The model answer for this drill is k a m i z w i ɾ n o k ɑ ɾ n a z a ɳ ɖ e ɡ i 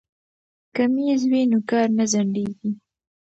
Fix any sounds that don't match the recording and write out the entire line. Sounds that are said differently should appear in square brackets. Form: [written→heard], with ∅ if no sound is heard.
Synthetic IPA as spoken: k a m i z w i [ɾ→∅] n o k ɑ ɾ n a z a ɳ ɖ e ɡ i